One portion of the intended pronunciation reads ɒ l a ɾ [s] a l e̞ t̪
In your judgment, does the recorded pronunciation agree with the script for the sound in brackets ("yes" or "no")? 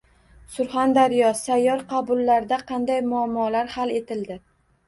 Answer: no